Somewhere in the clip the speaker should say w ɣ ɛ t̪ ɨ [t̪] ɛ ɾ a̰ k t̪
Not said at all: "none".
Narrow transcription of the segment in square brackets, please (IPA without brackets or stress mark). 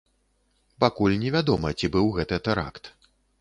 t̪